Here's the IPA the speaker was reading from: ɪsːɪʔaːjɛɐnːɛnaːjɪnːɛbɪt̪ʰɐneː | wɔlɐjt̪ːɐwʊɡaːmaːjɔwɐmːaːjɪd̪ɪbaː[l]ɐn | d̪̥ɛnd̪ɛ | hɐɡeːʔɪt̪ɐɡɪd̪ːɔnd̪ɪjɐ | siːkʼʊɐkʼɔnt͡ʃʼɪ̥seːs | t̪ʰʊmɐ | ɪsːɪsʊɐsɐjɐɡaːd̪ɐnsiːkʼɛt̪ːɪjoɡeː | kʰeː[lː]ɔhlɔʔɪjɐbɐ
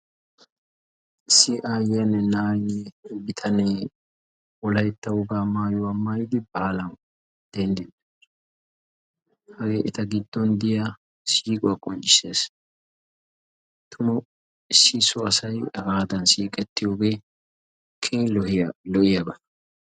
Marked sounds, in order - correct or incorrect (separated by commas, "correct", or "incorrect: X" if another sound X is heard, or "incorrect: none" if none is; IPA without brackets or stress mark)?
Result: correct, incorrect: l